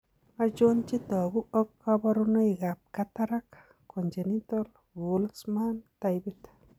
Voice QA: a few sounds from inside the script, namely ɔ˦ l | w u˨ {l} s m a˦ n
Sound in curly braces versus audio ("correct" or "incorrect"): correct